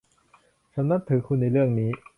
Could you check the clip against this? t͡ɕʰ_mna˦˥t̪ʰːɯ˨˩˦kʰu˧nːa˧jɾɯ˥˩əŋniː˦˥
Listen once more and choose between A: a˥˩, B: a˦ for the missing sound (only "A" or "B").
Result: B